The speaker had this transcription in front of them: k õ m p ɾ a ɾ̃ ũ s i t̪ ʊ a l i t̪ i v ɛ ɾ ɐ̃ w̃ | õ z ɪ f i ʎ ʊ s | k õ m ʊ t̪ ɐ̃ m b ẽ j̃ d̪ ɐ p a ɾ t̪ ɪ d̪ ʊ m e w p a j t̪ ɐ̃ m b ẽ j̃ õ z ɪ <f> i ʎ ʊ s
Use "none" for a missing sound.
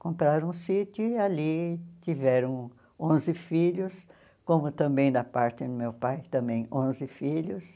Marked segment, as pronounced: f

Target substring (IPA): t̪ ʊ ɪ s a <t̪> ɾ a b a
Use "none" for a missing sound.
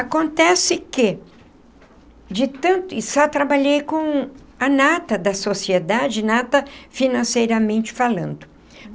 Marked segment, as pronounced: t̪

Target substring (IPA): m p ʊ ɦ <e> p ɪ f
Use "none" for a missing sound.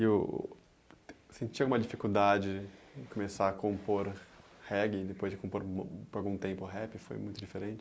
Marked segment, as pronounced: ɛ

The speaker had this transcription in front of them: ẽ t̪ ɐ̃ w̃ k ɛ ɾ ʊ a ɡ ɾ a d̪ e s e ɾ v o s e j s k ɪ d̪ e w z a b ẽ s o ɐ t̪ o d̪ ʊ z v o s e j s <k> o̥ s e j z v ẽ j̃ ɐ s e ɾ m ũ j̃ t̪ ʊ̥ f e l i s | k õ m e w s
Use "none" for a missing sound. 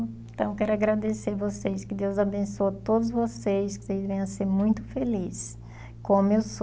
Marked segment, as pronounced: k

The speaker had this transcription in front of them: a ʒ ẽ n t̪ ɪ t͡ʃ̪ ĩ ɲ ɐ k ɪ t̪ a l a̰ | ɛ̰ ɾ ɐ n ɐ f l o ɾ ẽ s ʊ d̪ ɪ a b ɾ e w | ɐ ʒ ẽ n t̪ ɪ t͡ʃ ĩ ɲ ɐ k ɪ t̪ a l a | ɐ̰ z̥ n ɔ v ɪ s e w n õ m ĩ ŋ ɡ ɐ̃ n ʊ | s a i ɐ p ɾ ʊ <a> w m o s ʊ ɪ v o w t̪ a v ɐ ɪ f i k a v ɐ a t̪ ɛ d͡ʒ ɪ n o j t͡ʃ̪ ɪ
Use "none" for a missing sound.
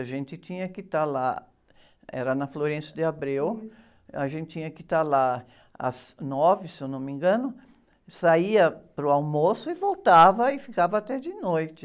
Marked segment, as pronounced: a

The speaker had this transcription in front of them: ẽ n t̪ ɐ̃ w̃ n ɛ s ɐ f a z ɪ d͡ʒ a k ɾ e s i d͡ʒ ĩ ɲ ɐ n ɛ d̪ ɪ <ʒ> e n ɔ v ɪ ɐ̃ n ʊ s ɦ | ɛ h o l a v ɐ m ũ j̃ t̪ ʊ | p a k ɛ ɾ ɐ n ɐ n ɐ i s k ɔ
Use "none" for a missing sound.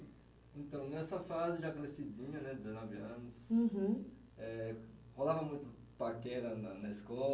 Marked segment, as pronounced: z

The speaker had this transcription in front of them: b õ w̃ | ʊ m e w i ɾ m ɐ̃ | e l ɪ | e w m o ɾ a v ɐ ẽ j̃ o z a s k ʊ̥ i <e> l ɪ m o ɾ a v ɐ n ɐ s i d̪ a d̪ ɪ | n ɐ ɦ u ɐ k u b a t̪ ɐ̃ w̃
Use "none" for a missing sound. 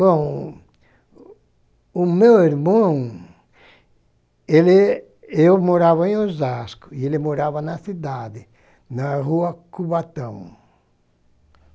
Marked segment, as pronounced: e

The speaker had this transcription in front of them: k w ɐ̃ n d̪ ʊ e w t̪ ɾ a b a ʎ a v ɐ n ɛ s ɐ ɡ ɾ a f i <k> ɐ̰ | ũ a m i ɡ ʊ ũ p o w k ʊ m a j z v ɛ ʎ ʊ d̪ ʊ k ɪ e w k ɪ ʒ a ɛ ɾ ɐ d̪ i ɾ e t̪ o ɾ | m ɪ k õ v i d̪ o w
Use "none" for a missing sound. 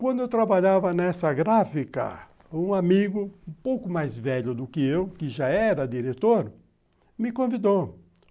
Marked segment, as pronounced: k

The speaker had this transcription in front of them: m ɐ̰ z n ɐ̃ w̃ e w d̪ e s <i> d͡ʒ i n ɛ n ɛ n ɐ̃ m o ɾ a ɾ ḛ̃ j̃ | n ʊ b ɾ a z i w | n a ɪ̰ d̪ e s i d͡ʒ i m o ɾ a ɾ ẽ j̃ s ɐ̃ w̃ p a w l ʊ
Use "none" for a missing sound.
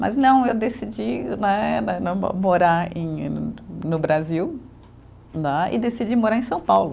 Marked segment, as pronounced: i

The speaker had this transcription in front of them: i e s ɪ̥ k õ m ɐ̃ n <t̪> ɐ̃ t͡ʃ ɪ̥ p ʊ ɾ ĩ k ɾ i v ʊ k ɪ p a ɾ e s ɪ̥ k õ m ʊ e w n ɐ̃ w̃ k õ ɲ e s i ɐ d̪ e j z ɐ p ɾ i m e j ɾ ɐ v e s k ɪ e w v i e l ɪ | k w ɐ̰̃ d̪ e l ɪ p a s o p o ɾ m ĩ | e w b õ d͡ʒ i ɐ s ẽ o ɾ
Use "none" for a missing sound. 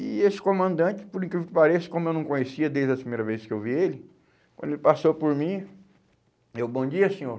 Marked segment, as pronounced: d̪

